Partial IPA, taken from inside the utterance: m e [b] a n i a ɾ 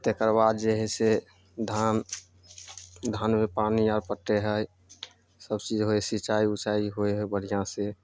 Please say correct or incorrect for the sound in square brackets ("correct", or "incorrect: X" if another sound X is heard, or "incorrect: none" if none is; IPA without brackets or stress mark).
incorrect: p